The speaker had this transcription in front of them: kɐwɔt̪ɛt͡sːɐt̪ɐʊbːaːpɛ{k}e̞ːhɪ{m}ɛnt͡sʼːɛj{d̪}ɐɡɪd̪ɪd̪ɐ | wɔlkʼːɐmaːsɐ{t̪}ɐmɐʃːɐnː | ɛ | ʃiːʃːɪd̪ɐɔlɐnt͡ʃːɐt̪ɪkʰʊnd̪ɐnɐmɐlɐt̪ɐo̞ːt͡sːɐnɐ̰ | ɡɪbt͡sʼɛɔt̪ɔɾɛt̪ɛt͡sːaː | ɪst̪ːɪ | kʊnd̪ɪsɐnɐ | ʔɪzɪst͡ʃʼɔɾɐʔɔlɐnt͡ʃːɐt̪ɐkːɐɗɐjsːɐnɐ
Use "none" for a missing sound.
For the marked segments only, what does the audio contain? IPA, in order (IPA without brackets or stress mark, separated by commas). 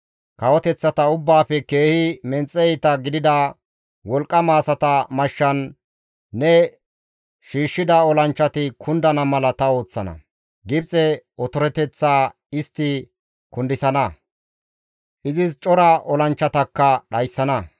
k, m, t̪, t̪